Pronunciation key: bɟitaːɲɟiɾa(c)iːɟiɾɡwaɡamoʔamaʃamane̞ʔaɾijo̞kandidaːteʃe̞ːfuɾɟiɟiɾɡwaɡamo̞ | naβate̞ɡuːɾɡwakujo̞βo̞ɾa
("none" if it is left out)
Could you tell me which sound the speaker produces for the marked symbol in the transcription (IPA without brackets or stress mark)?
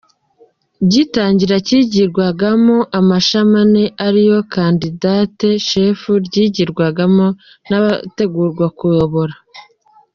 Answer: c